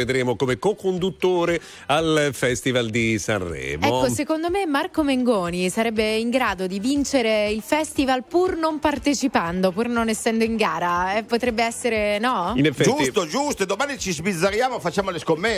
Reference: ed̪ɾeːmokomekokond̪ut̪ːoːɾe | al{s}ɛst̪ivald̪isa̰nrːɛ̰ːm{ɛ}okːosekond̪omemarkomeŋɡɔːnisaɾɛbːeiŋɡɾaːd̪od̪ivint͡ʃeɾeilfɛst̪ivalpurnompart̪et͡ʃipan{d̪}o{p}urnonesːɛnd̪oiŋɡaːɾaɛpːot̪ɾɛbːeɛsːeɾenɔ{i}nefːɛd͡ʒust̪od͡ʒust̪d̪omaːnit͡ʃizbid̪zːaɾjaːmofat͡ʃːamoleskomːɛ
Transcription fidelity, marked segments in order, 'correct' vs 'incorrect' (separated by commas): incorrect, correct, correct, correct, correct